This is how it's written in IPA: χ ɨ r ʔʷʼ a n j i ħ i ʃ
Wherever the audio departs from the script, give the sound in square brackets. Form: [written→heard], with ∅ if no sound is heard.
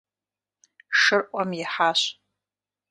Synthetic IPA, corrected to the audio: [χ→ʂ] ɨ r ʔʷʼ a [n→m] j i ħ [i→a] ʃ